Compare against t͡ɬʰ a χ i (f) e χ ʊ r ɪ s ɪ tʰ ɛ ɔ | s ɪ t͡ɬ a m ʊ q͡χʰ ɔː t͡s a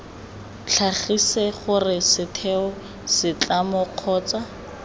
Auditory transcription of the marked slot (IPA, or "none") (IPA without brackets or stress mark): s